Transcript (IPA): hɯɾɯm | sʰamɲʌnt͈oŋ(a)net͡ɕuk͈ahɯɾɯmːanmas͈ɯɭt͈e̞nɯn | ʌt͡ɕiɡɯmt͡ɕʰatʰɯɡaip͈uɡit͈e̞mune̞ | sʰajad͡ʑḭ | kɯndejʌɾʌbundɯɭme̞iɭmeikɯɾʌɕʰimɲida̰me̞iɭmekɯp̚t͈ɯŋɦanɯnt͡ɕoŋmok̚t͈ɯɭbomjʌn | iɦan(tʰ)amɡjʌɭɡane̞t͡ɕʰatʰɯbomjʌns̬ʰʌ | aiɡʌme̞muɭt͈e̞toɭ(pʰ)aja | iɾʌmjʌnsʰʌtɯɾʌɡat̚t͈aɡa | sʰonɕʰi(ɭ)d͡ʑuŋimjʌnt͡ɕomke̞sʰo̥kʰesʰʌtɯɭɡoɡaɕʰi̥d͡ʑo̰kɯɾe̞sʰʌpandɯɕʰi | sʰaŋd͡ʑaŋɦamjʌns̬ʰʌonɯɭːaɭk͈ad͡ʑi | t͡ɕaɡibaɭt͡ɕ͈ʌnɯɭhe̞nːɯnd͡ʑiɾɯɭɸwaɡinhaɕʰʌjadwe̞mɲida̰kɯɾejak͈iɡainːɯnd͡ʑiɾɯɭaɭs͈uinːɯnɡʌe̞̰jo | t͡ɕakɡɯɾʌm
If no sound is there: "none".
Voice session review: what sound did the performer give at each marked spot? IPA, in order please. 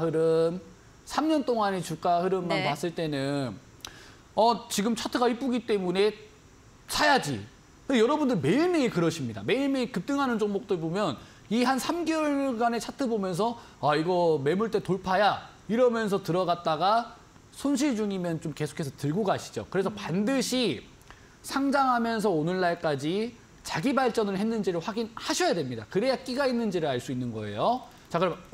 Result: a, sʰ, pʰ, ɭ

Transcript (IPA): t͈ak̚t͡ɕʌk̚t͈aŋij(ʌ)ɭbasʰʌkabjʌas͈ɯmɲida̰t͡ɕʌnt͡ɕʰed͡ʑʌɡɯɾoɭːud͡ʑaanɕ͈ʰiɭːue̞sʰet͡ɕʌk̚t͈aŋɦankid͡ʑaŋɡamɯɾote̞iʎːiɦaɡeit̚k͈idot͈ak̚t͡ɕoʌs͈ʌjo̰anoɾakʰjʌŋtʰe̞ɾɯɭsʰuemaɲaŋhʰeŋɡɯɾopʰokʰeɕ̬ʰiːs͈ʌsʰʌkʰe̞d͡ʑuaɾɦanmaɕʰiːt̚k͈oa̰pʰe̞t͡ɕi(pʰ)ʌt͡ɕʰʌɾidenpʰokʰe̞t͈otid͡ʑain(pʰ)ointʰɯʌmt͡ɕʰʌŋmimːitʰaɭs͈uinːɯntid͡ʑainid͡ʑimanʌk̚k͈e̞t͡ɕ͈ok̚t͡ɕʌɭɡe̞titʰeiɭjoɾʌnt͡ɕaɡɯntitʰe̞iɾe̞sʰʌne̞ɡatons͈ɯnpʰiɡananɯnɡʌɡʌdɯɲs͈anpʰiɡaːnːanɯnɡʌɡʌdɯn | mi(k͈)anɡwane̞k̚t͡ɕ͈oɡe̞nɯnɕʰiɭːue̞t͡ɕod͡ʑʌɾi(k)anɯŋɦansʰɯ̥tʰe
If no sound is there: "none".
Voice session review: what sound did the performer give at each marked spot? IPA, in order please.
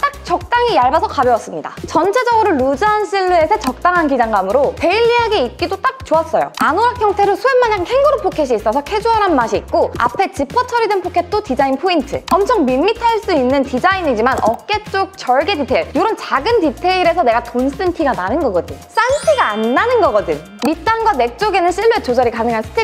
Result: a, pʰ, pʰ, t͈, k

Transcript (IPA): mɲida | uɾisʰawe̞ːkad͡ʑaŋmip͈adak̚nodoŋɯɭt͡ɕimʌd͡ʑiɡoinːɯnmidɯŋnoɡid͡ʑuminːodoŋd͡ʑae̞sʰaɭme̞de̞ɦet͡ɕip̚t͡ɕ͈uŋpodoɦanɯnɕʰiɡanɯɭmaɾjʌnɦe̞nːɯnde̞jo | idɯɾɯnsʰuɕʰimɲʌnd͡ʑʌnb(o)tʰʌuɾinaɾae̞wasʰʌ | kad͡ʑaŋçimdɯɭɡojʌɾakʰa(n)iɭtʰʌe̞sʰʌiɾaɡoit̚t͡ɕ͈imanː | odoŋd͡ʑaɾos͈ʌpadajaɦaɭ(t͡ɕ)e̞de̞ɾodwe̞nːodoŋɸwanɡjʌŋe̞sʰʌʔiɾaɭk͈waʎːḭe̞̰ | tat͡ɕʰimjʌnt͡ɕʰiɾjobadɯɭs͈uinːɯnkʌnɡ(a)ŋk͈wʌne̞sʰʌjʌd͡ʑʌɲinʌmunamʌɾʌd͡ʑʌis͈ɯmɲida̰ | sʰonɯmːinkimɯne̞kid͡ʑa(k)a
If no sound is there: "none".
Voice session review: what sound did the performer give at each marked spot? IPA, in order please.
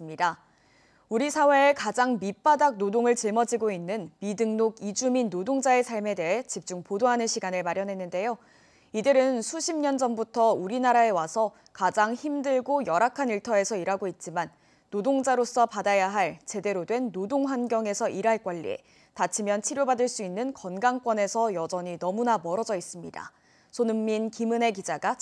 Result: u, n, t͡ɕ, a, ɡ

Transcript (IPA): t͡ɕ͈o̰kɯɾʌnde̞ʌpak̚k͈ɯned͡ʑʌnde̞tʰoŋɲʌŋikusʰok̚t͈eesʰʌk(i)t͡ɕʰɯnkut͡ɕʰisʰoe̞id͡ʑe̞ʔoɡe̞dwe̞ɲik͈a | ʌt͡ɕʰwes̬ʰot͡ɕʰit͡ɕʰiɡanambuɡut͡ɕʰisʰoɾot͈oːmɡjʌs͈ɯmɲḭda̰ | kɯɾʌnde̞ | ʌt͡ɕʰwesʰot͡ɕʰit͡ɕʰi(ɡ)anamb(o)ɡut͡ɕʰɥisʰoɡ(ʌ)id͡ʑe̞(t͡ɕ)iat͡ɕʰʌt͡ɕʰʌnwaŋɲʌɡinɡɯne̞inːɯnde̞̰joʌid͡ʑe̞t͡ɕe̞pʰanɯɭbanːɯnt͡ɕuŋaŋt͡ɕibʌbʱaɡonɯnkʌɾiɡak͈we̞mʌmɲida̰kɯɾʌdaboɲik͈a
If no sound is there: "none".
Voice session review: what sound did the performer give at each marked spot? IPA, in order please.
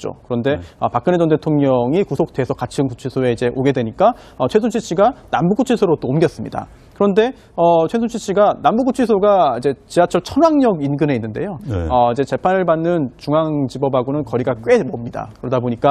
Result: a, ɡ, u, a, t͡ɕ

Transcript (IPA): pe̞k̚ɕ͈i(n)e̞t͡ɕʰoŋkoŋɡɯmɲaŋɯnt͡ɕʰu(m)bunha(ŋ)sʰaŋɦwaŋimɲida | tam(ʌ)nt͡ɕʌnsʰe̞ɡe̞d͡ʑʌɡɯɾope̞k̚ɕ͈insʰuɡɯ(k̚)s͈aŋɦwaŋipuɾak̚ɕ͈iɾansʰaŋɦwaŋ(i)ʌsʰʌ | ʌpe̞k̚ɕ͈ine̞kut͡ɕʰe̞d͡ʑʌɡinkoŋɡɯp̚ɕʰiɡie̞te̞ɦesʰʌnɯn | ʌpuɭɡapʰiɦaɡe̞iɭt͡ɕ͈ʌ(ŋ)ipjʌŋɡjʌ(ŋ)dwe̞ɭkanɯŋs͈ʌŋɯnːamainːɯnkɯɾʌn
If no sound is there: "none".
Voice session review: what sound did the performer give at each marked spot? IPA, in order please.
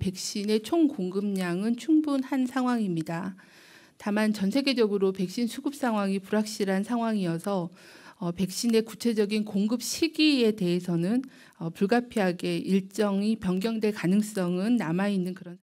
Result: n, ŋ, n, a, p̚, i, ŋ, ŋ

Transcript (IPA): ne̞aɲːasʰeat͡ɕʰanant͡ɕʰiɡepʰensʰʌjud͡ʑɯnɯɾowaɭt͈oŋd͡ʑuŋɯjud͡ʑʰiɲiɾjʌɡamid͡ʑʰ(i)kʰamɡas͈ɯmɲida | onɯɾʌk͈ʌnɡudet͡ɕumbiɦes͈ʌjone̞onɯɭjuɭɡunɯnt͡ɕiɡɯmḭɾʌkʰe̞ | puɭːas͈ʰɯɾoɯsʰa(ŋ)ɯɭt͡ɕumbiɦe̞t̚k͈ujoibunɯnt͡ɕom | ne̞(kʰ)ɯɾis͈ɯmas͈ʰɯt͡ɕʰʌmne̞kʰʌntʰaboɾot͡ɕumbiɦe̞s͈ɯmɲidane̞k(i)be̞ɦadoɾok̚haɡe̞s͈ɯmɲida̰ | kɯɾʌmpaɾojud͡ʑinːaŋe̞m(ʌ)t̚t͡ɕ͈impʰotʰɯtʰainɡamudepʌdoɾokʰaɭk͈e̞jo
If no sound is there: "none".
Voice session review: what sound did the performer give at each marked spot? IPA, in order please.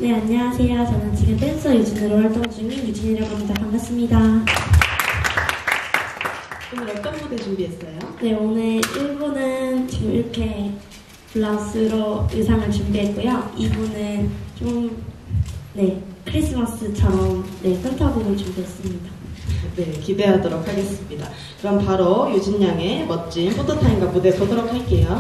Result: a, ŋ, kʰ, i, ʌ

